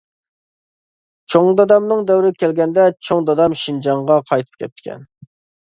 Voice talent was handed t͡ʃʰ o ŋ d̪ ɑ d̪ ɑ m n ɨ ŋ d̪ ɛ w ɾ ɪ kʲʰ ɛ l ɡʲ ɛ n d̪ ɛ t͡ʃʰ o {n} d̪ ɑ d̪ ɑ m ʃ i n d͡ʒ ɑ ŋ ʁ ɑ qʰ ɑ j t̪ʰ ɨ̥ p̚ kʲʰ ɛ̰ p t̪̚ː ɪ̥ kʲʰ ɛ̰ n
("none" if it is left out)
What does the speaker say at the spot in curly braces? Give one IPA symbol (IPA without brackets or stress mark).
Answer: ŋ